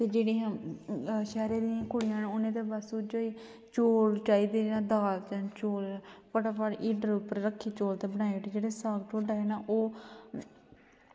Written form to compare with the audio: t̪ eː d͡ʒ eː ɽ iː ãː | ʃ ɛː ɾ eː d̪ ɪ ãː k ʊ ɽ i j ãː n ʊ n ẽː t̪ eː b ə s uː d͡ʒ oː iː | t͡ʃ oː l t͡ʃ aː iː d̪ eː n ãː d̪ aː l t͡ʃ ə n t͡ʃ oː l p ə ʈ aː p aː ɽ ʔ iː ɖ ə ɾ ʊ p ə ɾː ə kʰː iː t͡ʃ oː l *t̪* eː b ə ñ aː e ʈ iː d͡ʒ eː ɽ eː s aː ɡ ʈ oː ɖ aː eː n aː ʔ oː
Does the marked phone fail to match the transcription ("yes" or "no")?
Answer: no